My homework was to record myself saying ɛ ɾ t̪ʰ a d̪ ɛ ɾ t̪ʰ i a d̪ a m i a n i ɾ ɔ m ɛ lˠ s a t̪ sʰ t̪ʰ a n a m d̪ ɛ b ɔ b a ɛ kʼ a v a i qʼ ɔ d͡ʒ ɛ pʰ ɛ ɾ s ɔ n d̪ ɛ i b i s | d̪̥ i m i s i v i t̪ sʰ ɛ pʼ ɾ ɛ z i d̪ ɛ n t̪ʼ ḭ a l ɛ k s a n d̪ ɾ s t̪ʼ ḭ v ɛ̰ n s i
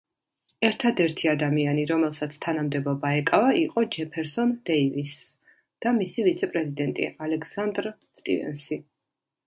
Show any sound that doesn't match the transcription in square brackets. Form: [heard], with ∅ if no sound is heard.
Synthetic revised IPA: ɛ ɾ t̪ʰ a d̪ ɛ ɾ t̪ʰ i a d̪ a m i a n i ɾ ɔ m ɛ lˠ s a t̪ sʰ t̪ʰ a n a m d̪ ɛ b ɔ b a ɛ kʼ a v a i qʼ ɔ d͡ʒ ɛ pʰ ɛ ɾ s ɔ n d̪ ɛ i [v] i s | d̪̥ [a] m i s i v i t̪ sʰ ɛ pʼ ɾ ɛ z i d̪ ɛ n t̪ʼ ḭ a l ɛ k s a n d̪ ɾ s t̪ʼ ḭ v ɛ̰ n s i